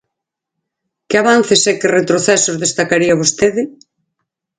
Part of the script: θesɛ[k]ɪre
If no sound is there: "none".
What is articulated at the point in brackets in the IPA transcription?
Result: k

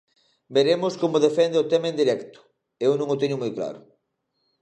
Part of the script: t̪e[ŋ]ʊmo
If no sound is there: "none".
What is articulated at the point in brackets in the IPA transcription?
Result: ɲ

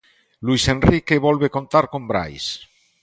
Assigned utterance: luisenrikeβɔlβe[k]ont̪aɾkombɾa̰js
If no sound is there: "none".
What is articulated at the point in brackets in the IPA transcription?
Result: k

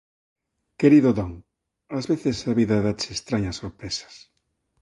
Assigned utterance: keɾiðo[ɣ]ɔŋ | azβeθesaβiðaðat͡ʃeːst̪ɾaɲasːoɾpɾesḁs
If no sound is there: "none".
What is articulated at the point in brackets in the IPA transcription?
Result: ð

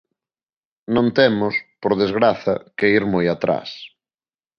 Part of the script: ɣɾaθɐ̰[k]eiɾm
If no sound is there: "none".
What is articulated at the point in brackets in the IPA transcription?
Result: k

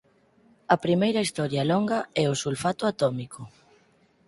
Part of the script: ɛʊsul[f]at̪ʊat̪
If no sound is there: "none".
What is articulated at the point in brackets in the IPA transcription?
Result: f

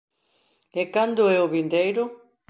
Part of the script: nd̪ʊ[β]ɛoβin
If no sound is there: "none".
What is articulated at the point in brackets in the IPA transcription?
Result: none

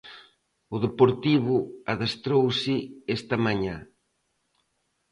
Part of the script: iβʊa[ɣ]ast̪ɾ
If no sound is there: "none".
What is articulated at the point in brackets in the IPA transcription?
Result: ð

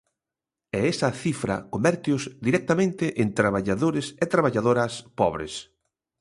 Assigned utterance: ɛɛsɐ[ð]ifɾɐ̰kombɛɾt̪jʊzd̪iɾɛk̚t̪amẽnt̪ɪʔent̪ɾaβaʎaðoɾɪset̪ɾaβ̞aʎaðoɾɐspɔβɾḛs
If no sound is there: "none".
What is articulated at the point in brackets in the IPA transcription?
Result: θ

